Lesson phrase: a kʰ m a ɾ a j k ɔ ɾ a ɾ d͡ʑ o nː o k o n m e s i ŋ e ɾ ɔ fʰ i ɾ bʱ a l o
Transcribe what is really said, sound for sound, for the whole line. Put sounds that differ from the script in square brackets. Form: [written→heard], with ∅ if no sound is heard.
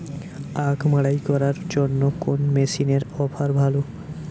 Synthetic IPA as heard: a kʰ m a [ɾ→ɽ] a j k ɔ ɾ a ɾ d͡ʑ o nː o k o n m e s i [ŋ→n] e ɾ ɔ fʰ [i→a] ɾ bʱ a l o